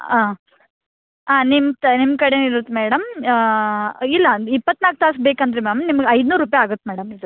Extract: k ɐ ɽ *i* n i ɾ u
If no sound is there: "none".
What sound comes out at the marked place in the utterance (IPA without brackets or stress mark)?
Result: e